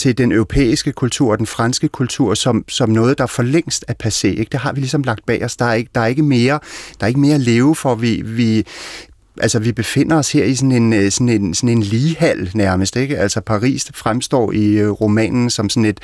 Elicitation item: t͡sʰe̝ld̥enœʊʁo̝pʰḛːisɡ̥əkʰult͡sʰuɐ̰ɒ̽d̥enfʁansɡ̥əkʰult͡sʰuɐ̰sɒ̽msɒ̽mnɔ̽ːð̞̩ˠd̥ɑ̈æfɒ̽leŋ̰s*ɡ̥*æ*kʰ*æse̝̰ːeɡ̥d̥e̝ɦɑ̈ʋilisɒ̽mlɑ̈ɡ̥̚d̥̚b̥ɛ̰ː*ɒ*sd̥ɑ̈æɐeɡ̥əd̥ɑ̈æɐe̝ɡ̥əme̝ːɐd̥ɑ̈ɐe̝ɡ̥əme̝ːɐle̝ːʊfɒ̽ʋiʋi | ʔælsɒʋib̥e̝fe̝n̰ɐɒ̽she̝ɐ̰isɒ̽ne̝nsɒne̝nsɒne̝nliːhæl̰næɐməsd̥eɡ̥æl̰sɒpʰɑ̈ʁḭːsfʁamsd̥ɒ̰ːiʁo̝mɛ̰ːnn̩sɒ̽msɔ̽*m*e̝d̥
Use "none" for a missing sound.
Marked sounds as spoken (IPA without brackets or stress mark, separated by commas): d̥, pʰ, ɒ, n